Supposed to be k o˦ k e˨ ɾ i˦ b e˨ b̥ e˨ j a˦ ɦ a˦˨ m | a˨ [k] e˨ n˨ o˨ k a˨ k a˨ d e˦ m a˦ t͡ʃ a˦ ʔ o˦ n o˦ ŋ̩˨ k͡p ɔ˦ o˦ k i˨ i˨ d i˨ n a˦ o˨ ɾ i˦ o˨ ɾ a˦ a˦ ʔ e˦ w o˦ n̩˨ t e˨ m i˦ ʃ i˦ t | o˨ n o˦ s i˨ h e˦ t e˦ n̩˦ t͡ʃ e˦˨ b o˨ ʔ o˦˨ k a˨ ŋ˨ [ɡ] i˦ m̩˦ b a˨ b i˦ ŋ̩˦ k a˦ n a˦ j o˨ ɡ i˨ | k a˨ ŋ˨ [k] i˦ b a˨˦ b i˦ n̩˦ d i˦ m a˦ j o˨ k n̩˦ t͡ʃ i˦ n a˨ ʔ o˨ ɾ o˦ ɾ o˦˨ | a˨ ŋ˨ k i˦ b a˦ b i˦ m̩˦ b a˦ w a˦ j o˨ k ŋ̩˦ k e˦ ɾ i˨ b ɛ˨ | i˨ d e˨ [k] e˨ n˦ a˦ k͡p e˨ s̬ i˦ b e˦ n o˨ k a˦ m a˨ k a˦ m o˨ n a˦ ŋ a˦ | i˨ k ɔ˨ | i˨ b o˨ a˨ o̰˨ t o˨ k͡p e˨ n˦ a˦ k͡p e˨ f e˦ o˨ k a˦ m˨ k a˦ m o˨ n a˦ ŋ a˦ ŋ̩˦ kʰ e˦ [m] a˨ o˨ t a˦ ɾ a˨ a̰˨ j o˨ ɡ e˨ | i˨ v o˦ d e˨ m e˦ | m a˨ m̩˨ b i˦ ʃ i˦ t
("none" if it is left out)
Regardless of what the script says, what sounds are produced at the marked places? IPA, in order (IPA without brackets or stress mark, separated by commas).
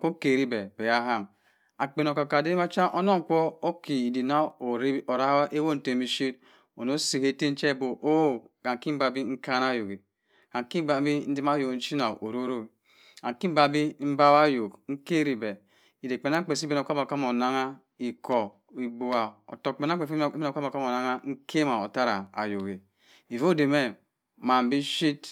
k͡p, k, k, k͡p, m